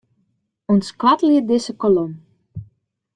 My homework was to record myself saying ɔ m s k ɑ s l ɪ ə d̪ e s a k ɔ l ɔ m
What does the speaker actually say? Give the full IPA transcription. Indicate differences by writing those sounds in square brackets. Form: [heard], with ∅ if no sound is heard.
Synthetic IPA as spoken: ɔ [n] s k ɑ [t] l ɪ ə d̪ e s [ə] k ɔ l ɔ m